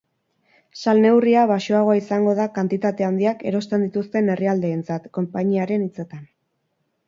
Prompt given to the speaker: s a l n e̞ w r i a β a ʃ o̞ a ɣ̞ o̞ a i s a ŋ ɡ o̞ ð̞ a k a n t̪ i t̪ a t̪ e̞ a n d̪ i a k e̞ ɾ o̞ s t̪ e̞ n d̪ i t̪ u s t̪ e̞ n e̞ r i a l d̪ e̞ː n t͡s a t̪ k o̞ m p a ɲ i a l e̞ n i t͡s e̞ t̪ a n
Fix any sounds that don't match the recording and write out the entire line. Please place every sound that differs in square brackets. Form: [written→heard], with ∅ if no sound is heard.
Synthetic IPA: s a l n e̞ w r i a β a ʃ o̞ a ɣ̞ o̞ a i s a ŋ ɡ o̞ ð̞ a k a n t̪ i t̪ a t̪ e̞ a n d̪ i a k e̞ ɾ o̞ s t̪ e̞ n d̪ i t̪ u s t̪ e̞ n e̞ r i a l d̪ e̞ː n t͡s a t̪ k o̞ m p a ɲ i a [l→ɾ] e̞ n i t͡s e̞ t̪ a n